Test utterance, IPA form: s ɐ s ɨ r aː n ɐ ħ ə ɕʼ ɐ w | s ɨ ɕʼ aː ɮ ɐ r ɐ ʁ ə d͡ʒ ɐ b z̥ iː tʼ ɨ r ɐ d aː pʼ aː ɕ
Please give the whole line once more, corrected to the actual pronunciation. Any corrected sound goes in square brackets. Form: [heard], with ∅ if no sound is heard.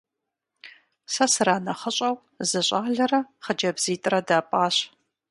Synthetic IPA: s ɐ s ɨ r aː n ɐ [χ] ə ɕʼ ɐ w | [z] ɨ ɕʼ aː ɮ ɐ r ɐ [χ] ə d͡ʒ ɐ b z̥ iː tʼ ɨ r ɐ d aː pʼ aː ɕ